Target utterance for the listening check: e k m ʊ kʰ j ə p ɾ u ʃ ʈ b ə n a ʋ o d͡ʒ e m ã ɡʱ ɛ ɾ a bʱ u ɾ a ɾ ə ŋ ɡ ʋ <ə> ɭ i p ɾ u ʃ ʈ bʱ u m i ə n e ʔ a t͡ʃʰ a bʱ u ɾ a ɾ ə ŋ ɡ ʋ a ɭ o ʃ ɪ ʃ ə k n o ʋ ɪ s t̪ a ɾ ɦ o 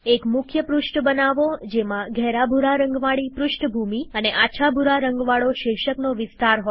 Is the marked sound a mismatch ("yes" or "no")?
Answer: yes